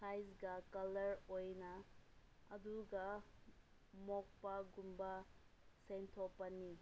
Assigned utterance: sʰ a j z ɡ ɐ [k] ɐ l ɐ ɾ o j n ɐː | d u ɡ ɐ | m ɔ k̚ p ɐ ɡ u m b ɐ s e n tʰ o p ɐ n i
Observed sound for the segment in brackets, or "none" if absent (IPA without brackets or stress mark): k